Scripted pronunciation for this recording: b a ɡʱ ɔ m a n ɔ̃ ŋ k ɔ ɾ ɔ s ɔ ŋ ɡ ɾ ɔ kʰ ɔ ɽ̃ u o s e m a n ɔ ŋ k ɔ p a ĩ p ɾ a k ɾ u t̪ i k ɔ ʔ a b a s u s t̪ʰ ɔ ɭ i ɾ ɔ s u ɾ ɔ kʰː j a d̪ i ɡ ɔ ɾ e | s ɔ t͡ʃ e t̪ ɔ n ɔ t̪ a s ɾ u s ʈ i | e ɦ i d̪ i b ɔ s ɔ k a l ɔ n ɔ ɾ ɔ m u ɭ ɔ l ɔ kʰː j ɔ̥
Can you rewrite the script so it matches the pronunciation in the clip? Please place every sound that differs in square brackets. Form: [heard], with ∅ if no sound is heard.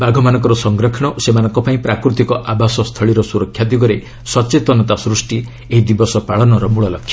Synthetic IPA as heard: b a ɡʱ ɔ m a n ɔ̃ ŋ k ɔ ɾ ɔ s ɔ ŋ ɡ ɾ ɔ kʰ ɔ ɽ̃ [ɔ] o s e m a n ɔ ŋ k ɔ p a ĩ p ɾ a k ɾ u t̪ i k ɔ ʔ a b a s [ɔ] s t̪ʰ ɔ ɭ i ɾ ɔ s u ɾ ɔ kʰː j a d̪ i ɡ ɔ ɾ e | s ɔ t͡ʃ e t̪ ɔ n ɔ t̪ a s ɾ u s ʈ i | e ɦ i d̪ i b ɔ s ɔ [p] a [ɭ] ɔ n ɔ ɾ ɔ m u ɭ ɔ l ɔ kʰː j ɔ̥